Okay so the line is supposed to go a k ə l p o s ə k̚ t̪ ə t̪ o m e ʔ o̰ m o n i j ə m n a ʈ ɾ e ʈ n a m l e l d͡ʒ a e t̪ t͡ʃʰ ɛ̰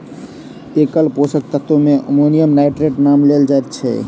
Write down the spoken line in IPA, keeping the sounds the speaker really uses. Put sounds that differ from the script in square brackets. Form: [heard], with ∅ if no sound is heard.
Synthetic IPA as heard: [e] k ə l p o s ə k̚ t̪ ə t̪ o m e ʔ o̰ m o n i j ə m n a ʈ ɾ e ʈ n a m l e l d͡ʒ a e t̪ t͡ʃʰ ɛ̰